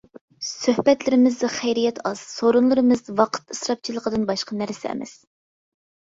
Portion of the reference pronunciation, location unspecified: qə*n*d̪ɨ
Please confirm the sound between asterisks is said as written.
no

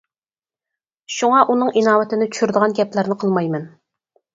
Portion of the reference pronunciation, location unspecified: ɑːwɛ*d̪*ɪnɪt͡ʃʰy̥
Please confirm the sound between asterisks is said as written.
no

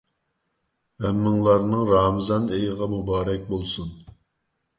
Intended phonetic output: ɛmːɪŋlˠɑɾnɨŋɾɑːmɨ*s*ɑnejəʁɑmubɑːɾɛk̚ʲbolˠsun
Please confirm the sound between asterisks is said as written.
no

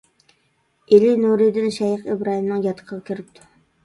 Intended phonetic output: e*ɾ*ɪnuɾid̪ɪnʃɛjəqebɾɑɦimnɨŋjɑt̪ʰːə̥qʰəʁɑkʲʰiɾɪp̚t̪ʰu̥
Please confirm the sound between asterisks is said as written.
no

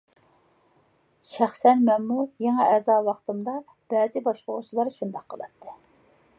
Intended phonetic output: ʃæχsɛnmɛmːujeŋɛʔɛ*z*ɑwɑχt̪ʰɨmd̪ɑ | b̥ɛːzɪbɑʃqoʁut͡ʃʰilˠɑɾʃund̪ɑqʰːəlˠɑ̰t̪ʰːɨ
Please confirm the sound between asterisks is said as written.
yes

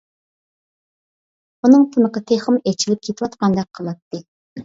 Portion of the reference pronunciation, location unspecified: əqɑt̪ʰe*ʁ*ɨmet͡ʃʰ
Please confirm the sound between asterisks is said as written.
no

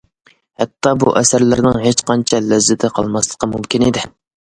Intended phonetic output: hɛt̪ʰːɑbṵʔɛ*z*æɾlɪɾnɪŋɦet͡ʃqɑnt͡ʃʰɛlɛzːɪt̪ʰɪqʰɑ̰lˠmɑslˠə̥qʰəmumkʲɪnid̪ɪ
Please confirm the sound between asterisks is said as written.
no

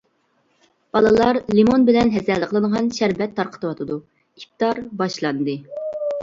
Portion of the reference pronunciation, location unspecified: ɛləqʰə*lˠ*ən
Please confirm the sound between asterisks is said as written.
yes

